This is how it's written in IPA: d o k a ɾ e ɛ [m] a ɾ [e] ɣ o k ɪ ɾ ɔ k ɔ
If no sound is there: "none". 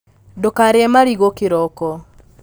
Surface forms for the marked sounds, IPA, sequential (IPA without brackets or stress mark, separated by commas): m, i